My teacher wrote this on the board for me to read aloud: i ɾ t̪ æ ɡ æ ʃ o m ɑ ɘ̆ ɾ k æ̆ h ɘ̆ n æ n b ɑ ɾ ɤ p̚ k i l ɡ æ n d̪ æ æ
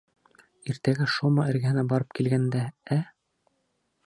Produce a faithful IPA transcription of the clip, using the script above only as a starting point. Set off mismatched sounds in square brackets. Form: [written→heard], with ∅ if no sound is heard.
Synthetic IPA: i ɾ t̪ æ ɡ æ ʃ o m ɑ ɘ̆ ɾ [k→ɡ] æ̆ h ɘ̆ n æ [n→∅] b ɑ ɾ ɤ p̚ k i l ɡ æ n d̪ æ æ